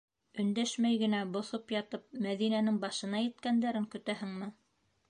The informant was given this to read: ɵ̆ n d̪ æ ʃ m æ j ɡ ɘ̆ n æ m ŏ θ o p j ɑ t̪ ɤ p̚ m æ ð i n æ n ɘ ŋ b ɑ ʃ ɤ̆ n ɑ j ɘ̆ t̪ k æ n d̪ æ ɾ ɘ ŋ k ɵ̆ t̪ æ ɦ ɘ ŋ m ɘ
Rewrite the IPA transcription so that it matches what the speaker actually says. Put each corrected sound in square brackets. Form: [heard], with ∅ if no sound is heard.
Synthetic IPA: ɵ̆ n d̪ æ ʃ m æ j ɡ ɘ̆ n æ [b] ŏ θ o p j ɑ t̪ ɤ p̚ m æ ð i n æ n ɘ ŋ b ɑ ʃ ɤ̆ n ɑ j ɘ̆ t̪ k æ n d̪ æ ɾ ɘ ŋ k ɵ̆ t̪ æ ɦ ɘ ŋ m ɘ

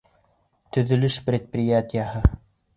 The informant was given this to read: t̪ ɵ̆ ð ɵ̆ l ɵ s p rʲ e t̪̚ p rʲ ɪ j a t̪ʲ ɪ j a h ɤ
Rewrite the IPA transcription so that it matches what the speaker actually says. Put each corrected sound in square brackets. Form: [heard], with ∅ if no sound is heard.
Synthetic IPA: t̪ ɵ̆ ð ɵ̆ l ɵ [ʃ] p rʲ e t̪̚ p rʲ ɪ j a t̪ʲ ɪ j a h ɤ

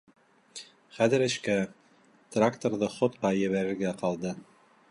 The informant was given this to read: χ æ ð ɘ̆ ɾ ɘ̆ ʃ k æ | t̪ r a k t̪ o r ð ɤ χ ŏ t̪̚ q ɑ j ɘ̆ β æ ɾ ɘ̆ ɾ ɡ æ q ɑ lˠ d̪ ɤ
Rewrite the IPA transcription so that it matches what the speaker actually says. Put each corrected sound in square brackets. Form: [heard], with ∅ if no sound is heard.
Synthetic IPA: χ æ ð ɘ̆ ɾ ɘ̆ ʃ k æ | t̪ r a k t̪ o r ð ɤ χ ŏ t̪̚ q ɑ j ɘ̆ β æ ɾ ɘ̆ ɾ ɡ æ q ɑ lˠ d̪ ɤ

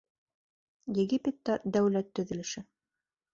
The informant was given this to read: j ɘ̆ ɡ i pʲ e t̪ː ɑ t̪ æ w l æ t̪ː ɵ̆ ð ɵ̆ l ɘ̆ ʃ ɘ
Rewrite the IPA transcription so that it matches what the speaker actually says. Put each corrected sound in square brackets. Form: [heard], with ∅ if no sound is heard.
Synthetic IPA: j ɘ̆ ɡ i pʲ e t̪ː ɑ [d̪] æ w l æ t̪ː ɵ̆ ð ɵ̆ l ɘ̆ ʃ ɘ

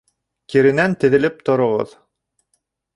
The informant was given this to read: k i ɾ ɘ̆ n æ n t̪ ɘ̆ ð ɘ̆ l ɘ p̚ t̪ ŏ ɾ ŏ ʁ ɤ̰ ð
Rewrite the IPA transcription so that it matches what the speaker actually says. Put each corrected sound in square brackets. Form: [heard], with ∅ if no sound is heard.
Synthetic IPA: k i ɾ ɘ̆ n æ n t̪ ɘ̆ ð ɘ̆ l ɘ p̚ t̪ ŏ ɾ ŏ ʁ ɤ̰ ð

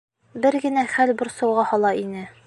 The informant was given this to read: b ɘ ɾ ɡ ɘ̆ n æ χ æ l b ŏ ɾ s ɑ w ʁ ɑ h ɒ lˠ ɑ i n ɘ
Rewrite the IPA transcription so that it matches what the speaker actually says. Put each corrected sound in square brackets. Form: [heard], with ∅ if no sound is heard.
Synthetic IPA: b ɘ ɾ ɡ ɘ̆ n æ χ æ l b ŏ ɾ s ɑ w ʁ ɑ h ɒ lˠ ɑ i n ɘ

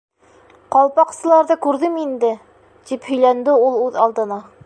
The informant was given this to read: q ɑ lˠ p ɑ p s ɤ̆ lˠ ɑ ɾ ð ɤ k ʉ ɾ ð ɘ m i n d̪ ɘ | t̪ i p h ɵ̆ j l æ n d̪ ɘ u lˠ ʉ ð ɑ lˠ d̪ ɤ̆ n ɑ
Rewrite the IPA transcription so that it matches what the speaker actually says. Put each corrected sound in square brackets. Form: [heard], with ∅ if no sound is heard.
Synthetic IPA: q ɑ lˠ p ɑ [q] s ɤ̆ lˠ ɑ ɾ ð ɤ k ʉ ɾ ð ɘ m i n d̪ ɘ | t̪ i p h ɵ̆ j l æ n d̪ ɘ u lˠ ʉ ð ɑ lˠ d̪ ɤ̆ n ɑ

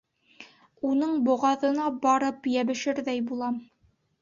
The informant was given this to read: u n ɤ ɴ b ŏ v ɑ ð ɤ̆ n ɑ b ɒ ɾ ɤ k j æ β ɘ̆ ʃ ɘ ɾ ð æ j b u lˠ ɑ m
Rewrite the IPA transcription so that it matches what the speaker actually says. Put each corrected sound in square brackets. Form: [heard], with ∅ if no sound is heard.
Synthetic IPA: u n ɤ ɴ b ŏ [ʁ] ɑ ð ɤ̆ n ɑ b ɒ ɾ ɤ [p] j æ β ɘ̆ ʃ ɘ ɾ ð æ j b u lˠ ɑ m

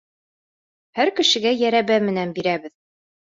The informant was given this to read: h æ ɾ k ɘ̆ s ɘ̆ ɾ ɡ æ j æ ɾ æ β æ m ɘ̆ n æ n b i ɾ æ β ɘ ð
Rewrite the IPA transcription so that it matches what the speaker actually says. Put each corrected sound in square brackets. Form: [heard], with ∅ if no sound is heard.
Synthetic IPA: h æ ɾ k ɘ̆ [ʃ] ɘ̆ [∅] ɡ æ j æ ɾ æ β æ m ɘ̆ n æ n b i ɾ æ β ɘ ð

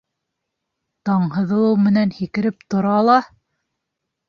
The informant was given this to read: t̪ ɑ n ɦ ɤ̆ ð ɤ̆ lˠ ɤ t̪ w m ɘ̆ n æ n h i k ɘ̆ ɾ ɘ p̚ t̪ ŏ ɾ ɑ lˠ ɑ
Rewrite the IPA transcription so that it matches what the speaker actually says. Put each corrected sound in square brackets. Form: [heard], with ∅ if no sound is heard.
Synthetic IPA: t̪ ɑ [ɴ] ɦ ɤ̆ ð ɤ̆ lˠ ɤ [∅] w m ɘ̆ n æ n h i k ɘ̆ ɾ ɘ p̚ t̪ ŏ ɾ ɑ lˠ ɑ

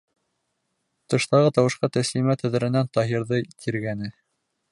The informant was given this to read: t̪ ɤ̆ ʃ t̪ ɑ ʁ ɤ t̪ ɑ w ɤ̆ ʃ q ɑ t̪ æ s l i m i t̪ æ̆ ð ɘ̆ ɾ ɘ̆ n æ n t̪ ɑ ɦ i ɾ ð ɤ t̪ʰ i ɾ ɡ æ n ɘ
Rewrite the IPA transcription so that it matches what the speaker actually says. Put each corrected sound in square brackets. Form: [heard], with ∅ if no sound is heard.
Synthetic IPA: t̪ ɤ̆ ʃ t̪ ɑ ʁ ɤ t̪ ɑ w ɤ̆ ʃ q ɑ t̪ æ s l i m [æ] t̪ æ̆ ð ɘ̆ ɾ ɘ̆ n æ n t̪ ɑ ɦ i ɾ ð ɤ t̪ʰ i ɾ ɡ æ n ɘ

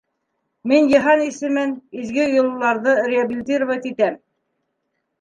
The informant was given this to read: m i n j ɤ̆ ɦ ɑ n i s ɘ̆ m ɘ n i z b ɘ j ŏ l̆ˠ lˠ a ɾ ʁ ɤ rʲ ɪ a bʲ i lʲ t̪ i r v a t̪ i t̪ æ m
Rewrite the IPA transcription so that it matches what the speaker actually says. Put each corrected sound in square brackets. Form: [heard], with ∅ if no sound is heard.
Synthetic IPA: m i n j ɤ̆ ɦ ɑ n i s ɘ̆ m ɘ n i z [ɡ] ɘ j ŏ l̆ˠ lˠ [ɑ] ɾ [ð] ɤ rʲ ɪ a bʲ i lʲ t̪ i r v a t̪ i t̪ æ m

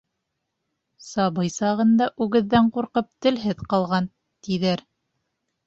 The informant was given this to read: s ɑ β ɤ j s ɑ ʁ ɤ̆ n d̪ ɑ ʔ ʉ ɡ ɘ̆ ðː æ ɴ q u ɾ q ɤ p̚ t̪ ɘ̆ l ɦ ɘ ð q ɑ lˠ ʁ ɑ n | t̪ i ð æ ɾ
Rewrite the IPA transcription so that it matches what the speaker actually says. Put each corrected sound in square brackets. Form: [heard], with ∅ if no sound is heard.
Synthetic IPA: s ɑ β ɤ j s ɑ ʁ ɤ̆ n d̪ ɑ ʔ ʉ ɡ ɘ̆ ðː æ ɴ q u ɾ q ɤ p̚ t̪ ɘ̆ l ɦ ɘ ð q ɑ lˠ ʁ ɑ n | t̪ i ð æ ɾ

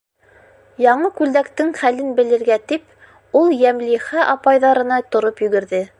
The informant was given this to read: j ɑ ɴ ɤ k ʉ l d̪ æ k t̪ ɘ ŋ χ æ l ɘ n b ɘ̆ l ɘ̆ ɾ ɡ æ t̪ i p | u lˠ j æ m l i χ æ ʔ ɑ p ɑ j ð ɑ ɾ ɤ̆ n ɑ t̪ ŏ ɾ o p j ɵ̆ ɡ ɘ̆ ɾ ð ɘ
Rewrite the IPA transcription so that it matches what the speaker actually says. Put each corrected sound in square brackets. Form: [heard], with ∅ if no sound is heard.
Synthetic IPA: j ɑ ɴ ɤ k ʉ l d̪ æ k t̪ ɘ ŋ χ æ l ɘ n b ɘ̆ l ɘ̆ ɾ ɡ æ t̪ i p | u lˠ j æ m l i χ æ ʔ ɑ p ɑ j ð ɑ ɾ ɤ̆ n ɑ t̪ ŏ ɾ o p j ɵ̆ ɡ ɘ̆ ɾ ð ɘ

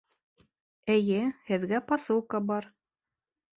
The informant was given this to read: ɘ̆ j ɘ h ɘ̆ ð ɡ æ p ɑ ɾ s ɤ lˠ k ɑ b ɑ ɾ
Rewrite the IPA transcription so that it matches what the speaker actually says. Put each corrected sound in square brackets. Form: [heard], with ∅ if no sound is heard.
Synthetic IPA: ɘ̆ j ɘ h ɘ̆ ð ɡ æ p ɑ [∅] s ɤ lˠ k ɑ b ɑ ɾ

